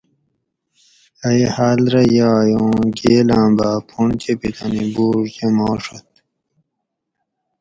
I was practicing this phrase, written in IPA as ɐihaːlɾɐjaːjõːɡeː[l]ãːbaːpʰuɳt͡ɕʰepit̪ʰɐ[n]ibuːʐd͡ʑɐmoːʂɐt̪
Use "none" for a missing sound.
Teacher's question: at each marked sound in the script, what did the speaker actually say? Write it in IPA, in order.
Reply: l, n

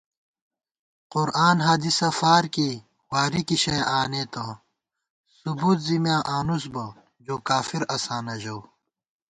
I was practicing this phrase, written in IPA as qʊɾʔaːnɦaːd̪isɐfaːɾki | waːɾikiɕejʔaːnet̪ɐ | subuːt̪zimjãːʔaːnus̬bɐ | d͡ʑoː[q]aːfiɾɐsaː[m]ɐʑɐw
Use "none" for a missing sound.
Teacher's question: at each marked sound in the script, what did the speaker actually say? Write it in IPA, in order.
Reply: k, n

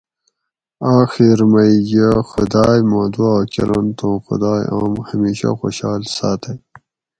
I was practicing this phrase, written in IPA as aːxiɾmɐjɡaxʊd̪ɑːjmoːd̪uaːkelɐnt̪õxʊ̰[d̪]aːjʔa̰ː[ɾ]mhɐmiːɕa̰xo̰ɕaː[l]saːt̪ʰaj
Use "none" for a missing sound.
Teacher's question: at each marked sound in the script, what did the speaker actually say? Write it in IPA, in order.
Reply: d̪, none, l

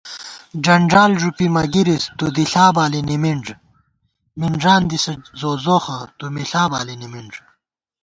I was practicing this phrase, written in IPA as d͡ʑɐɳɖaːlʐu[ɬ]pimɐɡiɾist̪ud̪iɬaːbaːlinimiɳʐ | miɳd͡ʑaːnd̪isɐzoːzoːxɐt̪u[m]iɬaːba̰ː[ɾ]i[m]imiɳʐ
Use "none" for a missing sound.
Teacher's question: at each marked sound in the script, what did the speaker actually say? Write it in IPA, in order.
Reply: none, m, l, n

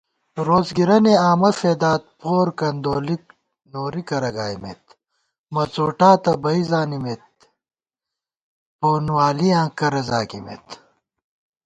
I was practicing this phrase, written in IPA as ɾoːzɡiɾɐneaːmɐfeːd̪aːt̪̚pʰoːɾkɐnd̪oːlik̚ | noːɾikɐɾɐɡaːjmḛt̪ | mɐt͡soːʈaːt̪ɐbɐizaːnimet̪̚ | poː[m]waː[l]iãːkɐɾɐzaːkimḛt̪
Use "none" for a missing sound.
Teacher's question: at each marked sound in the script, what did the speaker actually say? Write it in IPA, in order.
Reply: n, l

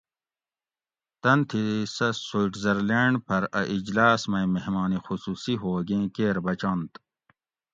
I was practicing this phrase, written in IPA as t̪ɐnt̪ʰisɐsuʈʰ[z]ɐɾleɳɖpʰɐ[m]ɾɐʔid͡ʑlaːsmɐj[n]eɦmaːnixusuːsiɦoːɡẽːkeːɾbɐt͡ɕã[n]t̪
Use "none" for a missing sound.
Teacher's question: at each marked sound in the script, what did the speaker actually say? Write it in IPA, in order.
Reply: z, none, m, n

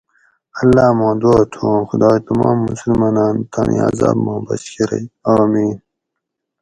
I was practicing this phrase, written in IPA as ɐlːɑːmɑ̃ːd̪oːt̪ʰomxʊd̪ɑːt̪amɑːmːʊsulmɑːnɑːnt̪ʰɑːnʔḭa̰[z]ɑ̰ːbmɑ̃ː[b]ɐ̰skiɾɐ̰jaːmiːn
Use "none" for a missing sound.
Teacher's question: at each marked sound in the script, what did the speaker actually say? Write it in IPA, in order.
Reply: z, b

